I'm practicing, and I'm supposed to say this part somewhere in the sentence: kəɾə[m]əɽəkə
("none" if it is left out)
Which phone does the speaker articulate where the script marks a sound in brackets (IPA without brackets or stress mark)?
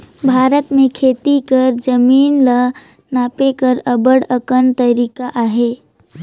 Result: b